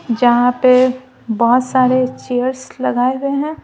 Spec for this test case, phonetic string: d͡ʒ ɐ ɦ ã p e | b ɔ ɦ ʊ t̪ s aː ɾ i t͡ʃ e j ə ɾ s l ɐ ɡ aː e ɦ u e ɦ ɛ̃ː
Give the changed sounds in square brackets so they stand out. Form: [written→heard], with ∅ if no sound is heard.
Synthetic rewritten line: d͡ʒ ɐ ɦ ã p e | b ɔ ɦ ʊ t̪ s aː ɾ [i→e] t͡ʃ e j ə ɾ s l ɐ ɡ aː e ɦ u e ɦ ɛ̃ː